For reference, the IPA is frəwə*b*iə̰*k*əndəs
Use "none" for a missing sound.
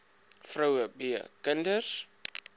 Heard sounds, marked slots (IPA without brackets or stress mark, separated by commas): b, k